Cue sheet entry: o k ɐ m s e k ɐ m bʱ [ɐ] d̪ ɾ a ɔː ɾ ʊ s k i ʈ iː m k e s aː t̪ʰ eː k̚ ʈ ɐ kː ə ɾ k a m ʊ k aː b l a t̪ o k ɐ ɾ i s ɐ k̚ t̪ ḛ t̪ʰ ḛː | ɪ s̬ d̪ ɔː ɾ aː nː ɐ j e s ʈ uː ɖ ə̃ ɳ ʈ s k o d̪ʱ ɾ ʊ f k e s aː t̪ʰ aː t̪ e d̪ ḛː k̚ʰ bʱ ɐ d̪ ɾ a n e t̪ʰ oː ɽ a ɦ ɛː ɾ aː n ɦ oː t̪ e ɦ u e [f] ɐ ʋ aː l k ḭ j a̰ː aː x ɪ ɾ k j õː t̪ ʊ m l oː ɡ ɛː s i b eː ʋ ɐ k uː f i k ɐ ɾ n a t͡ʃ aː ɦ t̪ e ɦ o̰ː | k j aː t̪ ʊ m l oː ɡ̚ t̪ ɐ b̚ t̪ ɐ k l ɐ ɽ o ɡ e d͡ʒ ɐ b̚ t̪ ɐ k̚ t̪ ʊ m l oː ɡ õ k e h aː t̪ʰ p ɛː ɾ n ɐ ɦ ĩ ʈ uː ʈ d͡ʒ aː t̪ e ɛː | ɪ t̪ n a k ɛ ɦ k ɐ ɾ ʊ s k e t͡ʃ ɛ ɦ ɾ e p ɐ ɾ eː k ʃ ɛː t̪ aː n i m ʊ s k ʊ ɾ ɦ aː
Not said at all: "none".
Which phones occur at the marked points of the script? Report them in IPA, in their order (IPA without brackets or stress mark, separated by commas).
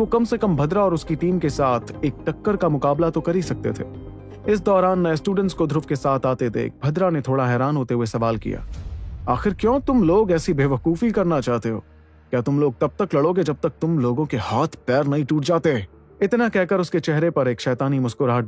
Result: ɐ, s